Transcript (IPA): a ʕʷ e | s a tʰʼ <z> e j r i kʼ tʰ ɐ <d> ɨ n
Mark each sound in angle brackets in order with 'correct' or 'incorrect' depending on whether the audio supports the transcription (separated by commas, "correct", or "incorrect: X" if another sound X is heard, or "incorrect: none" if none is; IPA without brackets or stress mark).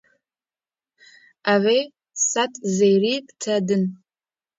correct, correct